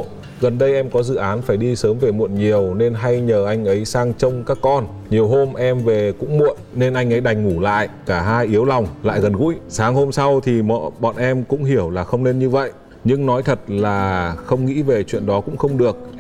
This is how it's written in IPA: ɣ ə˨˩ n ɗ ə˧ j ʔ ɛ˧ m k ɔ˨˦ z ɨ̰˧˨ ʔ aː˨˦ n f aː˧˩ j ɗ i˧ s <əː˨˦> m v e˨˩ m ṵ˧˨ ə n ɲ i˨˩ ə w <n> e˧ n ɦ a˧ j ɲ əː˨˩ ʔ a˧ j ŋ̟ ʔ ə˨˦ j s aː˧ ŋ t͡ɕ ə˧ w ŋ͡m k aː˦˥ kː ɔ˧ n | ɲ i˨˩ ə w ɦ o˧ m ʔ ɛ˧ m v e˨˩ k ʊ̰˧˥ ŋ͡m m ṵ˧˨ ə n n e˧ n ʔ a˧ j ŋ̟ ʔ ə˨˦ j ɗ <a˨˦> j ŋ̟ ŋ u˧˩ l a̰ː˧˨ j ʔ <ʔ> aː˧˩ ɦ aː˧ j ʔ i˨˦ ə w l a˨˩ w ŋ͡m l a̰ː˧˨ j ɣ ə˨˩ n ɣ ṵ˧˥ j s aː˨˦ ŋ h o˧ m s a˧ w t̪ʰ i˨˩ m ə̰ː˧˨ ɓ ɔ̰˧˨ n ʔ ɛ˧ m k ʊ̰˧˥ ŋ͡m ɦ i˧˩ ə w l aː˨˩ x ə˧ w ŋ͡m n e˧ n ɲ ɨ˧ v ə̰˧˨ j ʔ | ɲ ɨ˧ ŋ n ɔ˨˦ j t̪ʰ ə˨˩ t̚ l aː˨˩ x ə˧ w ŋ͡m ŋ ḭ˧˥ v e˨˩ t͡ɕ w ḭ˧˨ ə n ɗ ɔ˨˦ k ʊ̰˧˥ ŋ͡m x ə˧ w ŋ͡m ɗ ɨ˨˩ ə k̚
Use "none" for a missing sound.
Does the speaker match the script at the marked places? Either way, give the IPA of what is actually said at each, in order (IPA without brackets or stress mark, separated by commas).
əː˨˦, n, a˨˩, k